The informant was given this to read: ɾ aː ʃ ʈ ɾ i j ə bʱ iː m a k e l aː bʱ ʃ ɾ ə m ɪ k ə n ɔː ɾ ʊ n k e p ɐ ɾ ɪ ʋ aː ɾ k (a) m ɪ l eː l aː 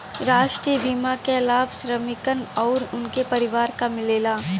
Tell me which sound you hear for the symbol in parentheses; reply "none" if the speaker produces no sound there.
a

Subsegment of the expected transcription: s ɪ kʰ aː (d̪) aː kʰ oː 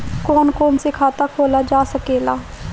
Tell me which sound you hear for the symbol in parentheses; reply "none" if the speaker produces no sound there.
t̪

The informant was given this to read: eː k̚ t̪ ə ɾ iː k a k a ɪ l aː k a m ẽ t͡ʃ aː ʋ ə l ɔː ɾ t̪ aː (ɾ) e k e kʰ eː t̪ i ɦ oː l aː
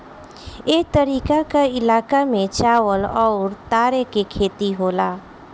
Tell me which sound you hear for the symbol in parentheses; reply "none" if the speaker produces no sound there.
ɾ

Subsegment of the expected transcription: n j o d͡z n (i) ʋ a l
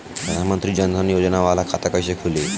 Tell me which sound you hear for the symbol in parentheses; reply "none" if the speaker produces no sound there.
a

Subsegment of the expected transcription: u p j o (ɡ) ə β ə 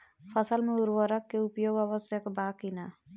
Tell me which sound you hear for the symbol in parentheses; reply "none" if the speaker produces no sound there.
ɡ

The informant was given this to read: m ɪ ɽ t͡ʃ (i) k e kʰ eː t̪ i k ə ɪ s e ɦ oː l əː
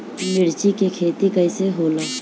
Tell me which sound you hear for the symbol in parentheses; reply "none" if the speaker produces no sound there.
i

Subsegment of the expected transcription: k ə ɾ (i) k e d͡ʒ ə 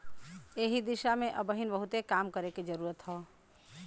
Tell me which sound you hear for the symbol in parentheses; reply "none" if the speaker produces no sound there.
e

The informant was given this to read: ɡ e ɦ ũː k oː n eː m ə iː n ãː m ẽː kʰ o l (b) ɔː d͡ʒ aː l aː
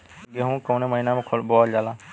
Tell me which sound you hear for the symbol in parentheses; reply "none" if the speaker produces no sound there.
b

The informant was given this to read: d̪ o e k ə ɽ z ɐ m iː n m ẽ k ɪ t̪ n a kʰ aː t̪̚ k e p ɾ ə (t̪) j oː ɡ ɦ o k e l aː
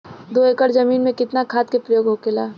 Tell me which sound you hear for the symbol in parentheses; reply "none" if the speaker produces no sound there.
none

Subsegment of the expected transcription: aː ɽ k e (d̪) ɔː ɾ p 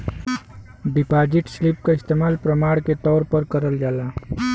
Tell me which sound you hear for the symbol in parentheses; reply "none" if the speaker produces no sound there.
t̪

